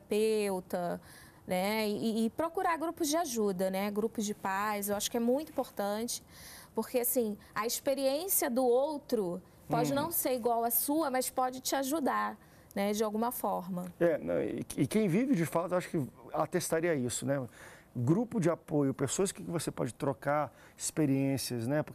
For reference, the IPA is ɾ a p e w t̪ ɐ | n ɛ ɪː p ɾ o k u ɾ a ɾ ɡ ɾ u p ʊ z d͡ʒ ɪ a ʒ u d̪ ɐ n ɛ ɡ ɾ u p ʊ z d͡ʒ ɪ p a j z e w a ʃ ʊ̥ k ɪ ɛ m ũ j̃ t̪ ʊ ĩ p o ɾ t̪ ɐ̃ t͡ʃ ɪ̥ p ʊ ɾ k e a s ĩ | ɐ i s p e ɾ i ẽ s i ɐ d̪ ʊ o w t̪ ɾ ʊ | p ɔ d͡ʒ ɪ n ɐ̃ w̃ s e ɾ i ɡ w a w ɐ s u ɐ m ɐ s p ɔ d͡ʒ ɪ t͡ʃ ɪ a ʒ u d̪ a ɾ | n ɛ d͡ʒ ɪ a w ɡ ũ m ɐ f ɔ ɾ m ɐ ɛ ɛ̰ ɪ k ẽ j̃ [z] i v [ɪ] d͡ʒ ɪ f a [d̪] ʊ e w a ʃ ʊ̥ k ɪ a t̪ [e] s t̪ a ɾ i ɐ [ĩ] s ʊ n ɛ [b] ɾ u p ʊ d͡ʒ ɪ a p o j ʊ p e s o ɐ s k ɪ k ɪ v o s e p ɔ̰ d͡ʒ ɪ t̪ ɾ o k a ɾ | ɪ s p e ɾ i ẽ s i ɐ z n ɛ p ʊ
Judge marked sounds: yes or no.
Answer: no, yes, no, yes, no, no

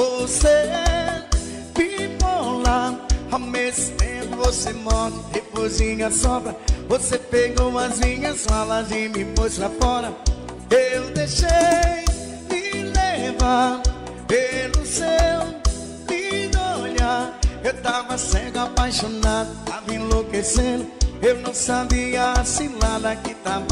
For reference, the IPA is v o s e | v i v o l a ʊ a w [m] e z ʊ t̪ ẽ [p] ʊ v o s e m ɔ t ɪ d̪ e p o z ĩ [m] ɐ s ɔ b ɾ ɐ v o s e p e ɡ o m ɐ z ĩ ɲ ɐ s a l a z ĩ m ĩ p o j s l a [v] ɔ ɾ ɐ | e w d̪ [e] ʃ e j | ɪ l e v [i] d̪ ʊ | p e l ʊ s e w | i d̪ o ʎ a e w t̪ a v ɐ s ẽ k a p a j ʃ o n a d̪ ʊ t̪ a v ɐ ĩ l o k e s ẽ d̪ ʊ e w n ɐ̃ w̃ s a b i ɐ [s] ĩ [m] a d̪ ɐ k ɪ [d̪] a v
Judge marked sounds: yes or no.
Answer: yes, yes, no, no, yes, no, yes, no, no

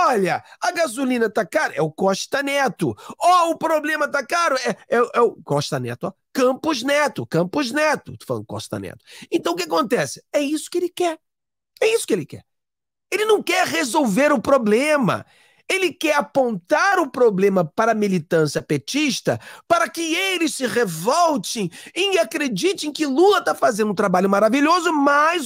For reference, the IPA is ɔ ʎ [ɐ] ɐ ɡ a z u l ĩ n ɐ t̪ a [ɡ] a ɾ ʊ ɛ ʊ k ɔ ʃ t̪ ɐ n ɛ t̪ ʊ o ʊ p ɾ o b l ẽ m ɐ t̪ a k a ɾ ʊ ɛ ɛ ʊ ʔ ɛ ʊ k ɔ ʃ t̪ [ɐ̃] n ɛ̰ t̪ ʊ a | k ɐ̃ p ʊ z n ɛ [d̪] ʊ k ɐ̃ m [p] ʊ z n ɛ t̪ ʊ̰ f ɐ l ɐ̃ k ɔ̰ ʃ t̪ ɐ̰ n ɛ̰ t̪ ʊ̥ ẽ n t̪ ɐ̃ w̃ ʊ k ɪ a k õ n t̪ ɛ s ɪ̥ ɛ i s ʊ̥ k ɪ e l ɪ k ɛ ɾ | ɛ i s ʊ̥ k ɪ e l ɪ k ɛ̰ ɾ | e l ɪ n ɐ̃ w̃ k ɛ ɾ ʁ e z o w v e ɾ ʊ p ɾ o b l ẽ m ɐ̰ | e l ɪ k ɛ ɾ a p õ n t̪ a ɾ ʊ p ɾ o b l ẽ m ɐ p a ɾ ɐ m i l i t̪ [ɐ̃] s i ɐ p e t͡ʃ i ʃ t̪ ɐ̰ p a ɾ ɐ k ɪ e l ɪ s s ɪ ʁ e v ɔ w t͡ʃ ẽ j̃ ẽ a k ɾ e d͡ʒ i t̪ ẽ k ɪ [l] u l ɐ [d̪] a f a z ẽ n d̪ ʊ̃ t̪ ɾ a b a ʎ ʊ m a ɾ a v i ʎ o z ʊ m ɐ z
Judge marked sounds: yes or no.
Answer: yes, no, no, no, yes, yes, yes, no

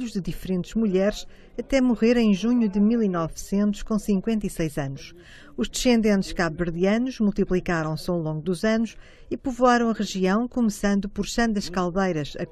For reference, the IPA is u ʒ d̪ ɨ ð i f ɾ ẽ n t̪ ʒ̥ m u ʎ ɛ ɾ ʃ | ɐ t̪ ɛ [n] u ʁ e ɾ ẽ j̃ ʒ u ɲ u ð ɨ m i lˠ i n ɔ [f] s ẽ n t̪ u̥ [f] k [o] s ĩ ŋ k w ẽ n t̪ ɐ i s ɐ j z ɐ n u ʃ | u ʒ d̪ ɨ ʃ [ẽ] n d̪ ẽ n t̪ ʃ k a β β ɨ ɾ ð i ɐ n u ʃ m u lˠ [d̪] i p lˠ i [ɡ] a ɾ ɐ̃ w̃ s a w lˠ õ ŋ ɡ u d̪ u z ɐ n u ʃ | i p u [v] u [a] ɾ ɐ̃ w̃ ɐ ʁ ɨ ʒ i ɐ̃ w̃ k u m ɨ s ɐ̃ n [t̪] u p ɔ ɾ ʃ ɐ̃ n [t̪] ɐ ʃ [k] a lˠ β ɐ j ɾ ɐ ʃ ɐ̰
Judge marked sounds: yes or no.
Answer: no, no, no, no, yes, no, no, yes, yes, no, no, yes

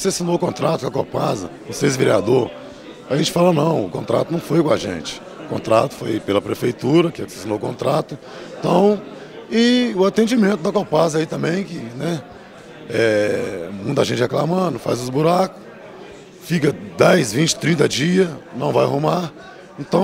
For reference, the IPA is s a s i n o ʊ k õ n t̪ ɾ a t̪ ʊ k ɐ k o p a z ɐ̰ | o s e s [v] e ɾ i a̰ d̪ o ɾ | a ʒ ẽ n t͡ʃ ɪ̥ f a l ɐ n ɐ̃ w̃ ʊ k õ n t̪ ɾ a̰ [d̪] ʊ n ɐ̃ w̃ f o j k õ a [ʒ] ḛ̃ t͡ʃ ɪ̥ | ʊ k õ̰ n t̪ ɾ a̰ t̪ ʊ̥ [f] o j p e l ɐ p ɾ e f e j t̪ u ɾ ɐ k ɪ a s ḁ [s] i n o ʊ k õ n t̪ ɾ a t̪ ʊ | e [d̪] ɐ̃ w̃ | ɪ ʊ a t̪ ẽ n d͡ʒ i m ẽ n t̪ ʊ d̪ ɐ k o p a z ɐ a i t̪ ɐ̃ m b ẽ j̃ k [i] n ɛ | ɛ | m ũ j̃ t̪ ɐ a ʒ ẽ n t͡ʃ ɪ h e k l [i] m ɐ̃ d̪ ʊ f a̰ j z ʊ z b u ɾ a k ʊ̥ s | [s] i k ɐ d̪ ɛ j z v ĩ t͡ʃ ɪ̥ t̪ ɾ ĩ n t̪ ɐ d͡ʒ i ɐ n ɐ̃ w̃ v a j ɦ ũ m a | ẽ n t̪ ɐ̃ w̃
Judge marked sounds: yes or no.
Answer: yes, no, yes, yes, yes, no, no, no, no

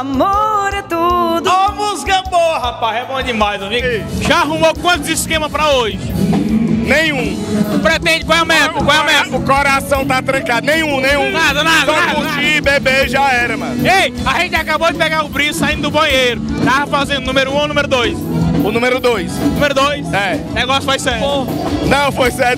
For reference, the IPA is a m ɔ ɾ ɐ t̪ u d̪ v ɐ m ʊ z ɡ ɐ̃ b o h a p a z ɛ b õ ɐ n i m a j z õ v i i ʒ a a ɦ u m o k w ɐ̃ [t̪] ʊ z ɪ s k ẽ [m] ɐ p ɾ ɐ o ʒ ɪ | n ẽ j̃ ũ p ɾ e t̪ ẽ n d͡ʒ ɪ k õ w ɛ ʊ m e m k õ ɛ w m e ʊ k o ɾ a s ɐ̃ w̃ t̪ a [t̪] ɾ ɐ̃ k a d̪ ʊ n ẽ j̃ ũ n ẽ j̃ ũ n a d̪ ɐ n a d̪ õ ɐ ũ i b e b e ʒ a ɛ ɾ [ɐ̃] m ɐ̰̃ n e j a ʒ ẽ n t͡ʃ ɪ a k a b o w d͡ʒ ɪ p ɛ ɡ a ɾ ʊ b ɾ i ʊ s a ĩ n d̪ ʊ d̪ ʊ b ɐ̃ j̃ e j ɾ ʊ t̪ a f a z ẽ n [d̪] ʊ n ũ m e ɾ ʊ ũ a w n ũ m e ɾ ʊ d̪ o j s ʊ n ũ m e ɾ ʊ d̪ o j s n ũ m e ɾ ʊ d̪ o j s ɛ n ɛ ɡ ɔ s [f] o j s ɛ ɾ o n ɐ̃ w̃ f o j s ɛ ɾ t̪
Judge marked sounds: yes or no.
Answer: yes, yes, yes, no, yes, yes

